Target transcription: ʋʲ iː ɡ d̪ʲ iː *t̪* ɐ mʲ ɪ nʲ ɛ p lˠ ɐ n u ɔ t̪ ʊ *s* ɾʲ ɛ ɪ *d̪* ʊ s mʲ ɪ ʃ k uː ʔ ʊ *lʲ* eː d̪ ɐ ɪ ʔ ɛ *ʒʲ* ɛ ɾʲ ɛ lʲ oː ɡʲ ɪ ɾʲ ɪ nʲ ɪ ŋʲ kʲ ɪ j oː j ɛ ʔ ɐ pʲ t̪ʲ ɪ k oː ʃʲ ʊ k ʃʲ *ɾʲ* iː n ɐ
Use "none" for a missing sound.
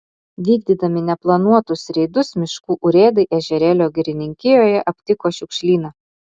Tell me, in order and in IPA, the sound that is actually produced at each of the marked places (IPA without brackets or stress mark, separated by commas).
d̪, s, d̪, ɾʲ, ʒʲ, lʲ